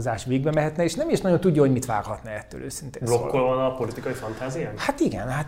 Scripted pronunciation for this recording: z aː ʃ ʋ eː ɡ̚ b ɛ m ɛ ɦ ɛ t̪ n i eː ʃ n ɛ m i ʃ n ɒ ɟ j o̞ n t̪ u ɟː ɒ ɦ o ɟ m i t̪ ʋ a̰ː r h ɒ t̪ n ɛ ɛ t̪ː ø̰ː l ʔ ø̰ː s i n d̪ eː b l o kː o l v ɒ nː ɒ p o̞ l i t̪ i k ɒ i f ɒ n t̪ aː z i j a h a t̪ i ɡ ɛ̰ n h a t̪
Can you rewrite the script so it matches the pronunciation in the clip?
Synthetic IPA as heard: z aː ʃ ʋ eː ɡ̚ b ɛ m ɛ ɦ ɛ t̪ n ɛ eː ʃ n ɛ m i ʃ n ɒ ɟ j o̞ n t̪ u ɟː ɒ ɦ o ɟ m i t̪ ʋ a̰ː r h ɒ t̪ n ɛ ɛ t̪ː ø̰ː l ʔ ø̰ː s i n t̪ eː b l o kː o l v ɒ n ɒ p o̞ l i t̪ i k ɒ i f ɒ n t̪ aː z i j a h a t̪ i ɡ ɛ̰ n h a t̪